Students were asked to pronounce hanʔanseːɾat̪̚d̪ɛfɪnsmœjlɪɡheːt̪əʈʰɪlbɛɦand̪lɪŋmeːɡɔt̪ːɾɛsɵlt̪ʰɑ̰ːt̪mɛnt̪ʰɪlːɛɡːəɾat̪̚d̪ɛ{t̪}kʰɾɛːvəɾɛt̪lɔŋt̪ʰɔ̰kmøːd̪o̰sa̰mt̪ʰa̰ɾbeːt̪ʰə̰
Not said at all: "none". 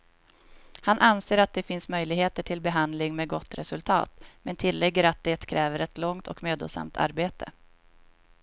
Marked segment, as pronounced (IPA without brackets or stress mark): t̪